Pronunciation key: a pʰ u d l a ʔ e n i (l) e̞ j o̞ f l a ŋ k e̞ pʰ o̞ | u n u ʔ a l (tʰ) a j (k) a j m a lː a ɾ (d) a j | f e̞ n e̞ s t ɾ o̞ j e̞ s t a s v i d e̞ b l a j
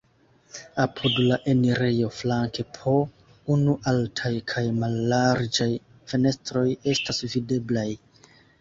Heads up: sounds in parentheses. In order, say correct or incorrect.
incorrect: ɾ, correct, incorrect: kʰ, incorrect: d͡ʒ

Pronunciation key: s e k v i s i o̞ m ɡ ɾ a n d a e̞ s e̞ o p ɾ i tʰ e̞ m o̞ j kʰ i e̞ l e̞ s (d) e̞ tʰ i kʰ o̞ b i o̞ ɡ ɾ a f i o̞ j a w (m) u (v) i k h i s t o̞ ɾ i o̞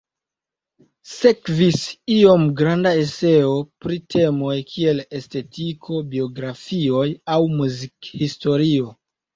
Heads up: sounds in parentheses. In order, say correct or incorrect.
incorrect: t, correct, incorrect: z

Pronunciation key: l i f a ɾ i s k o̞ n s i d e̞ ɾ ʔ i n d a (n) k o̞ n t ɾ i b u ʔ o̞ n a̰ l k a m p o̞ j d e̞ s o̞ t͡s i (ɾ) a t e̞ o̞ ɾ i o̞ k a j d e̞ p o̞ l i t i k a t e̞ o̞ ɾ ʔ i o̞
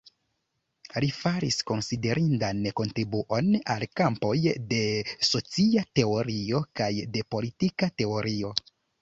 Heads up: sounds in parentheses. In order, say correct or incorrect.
correct, incorrect: none

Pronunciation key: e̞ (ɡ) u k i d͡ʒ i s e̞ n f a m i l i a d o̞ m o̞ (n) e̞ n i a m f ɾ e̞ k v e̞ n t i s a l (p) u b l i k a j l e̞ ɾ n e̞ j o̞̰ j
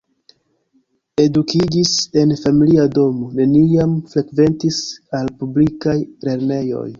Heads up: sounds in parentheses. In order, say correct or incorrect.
incorrect: d, correct, correct

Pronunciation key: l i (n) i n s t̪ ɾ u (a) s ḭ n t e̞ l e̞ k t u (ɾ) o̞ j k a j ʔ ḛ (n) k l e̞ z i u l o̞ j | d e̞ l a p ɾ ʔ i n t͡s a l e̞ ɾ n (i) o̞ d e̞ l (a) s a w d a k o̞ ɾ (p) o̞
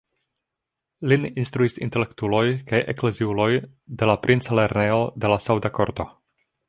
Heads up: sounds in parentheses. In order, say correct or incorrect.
correct, incorrect: i, incorrect: l, incorrect: none, incorrect: e, correct, incorrect: t

